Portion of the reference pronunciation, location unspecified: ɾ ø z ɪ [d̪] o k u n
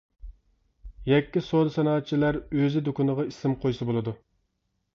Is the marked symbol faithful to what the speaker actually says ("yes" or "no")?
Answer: yes